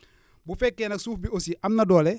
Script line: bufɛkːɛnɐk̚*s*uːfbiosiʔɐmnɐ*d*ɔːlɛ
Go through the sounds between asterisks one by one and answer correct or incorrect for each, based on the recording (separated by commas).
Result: correct, correct